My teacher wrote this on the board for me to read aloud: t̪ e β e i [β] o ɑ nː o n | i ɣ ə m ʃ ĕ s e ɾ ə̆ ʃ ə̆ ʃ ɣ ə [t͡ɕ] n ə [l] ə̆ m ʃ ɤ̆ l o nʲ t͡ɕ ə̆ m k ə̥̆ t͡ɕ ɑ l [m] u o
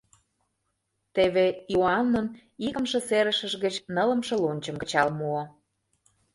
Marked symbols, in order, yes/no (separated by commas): no, yes, yes, yes